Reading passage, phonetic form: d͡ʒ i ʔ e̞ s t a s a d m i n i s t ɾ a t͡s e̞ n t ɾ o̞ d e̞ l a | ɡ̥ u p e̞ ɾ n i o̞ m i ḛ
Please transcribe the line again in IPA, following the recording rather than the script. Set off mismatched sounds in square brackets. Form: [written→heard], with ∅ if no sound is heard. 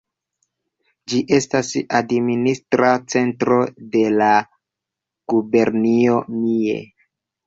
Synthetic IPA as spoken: d͡ʒ i ʔ e̞ s t a s a d m i n i s t ɾ a t͡s e̞ n t ɾ o̞ d e̞ l a | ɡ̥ u [p→b] e̞ ɾ n i o̞ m i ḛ